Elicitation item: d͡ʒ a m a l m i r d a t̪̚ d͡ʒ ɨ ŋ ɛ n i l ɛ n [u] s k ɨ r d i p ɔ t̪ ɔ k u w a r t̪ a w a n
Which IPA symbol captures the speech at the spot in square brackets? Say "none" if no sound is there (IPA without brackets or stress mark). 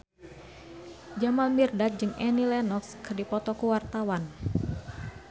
ɔ